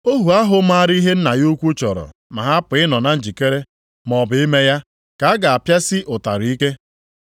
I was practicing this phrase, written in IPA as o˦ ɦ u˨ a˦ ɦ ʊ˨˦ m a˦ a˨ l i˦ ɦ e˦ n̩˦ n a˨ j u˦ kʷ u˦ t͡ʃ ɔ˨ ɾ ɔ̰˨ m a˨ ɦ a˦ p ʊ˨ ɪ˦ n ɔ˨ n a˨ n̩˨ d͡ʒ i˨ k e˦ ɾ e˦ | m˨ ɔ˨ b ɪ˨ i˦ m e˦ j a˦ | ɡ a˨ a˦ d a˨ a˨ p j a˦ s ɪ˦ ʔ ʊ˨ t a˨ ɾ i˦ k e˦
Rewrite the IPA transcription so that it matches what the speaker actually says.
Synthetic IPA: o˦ ɦ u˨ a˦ ɦ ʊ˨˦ m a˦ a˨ ɾ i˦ ɦ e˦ n̩˦ n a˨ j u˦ kʷ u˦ t͡ʃ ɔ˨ ɾ ɔ̰˨ m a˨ ɦ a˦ p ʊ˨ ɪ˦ n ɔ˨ n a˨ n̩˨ d͡ʒ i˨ k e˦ ɾ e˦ | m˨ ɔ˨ b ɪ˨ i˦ m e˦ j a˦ | k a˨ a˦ ɡ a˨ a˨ p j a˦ s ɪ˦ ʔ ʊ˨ t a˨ ɾ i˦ k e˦